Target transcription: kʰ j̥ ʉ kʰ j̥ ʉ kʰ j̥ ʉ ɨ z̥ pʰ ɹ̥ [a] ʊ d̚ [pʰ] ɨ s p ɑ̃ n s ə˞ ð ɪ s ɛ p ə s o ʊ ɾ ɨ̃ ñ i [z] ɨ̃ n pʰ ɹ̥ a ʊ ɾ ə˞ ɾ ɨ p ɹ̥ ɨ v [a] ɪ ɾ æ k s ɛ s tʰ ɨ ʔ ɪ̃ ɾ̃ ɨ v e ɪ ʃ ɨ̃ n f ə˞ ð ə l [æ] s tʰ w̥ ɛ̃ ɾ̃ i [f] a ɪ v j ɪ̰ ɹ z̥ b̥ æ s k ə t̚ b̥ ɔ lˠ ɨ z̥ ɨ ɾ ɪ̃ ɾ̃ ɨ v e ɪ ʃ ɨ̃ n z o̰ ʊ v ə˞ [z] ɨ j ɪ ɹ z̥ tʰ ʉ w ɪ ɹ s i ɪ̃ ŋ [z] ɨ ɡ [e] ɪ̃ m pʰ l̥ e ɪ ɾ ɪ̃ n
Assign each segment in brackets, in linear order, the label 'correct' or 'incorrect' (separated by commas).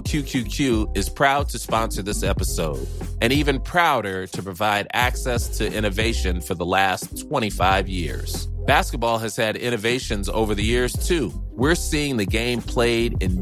correct, incorrect, incorrect, correct, correct, correct, incorrect, incorrect, incorrect